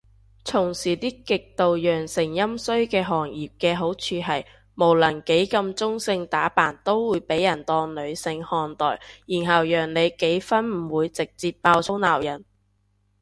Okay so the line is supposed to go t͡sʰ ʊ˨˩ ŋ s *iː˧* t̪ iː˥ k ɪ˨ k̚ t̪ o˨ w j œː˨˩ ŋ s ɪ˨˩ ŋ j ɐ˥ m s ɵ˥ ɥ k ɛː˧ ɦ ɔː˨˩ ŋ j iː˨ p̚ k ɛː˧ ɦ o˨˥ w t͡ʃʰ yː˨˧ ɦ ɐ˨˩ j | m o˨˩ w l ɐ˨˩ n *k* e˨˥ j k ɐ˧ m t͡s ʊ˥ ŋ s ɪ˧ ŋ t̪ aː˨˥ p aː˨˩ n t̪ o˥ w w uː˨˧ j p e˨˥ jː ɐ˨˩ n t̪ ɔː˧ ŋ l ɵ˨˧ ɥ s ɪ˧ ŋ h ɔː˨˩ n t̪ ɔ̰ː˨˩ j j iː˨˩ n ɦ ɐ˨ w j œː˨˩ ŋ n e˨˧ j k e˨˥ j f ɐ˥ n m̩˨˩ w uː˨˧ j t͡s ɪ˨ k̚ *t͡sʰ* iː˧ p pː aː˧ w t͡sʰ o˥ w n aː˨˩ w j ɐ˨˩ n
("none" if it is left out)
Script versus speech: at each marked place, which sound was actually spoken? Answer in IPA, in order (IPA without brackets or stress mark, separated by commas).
iː˨˩, k, t͡s